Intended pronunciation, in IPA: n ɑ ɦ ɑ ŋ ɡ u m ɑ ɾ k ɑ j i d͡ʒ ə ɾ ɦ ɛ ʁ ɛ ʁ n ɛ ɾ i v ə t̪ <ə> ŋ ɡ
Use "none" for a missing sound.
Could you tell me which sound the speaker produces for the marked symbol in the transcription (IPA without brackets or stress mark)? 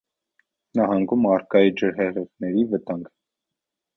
ɑ